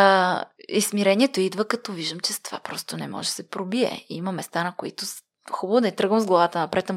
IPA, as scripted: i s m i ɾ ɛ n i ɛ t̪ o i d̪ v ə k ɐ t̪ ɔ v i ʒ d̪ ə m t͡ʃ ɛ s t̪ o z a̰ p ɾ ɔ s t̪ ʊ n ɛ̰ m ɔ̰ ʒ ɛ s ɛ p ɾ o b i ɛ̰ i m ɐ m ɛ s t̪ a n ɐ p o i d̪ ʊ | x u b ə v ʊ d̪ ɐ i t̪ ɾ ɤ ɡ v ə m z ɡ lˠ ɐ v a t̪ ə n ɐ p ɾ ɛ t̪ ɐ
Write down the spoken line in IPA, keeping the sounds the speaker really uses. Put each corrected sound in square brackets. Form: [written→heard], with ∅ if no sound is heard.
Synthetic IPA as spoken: i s m i ɾ ɛ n i ɛ t̪ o i d̪ v ə k ɐ t̪ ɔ v i ʒ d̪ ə m t͡ʃ ɛ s t̪ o [z→v] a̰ p ɾ ɔ s t̪ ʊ n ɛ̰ m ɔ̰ ʒ ɛ s ɛ p ɾ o b i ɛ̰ i m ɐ m ɛ s t̪ a n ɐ [p→k] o i [d̪→t̪] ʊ | x u b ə v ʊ d̪ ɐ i t̪ ɾ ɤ ɡ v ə m z ɡ lˠ ɐ v a t̪ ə n ɐ p ɾ ɛ t̪ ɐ